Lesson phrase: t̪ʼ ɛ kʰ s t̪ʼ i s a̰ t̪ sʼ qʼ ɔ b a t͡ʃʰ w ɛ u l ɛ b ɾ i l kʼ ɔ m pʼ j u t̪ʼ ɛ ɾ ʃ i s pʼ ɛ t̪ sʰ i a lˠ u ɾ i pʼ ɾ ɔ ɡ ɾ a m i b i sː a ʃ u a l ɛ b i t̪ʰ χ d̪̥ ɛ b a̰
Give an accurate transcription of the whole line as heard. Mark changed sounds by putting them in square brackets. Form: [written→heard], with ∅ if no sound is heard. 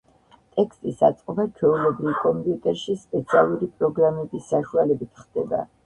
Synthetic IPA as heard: t̪ʼ ɛ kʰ s t̪ʼ i s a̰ t̪ sʼ qʼ ɔ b a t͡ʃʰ w ɛ u l ɛ b ɾ i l kʼ ɔ m pʼ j u t̪ʼ ɛ ɾ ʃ i s pʼ ɛ t̪ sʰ i a lˠ u ɾ i pʼ ɾ ɔ ɡ ɾ a m [i→ɛ] b i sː a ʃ u a l ɛ b i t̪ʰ χ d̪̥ ɛ b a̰